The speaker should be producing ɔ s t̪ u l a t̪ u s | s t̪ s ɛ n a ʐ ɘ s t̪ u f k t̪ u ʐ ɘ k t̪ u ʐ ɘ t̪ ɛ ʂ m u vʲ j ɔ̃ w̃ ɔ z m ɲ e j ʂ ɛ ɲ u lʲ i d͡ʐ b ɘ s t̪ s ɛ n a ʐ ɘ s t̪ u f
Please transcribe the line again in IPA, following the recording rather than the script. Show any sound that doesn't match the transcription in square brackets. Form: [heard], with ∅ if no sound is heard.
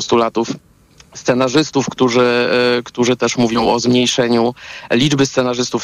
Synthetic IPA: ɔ s t̪ u l a t̪ u [f] | s t̪ s ɛ n a ʐ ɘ s t̪ u f k t̪ u ʐ ɘ k t̪ u ʐ ɘ t̪ ɛ ʂ m u vʲ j ɔ̃ w̃ ɔ z m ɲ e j ʂ ɛ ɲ u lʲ i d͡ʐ b ɘ s t̪ s ɛ n a ʐ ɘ s t̪ u f